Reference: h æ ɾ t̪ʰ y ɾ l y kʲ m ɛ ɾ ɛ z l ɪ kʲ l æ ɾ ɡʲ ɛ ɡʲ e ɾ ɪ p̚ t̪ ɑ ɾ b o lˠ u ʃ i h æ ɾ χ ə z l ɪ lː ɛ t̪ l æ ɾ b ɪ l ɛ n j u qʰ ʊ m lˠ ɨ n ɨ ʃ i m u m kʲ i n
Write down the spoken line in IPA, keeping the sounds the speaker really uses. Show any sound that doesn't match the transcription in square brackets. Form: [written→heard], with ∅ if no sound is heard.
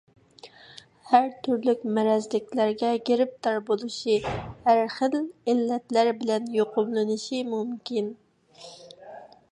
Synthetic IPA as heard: h æ ɾ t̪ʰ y ɾ l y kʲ m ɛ ɾ ɛ z l ɪ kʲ l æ ɾ ɡʲ ɛ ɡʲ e ɾ ɪ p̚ t̪ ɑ ɾ b o lˠ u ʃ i h æ ɾ χ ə [z→∅] l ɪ lː ɛ t̪ l æ ɾ b ɪ l ɛ n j [u→o] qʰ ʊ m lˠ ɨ n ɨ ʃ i m u m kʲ i n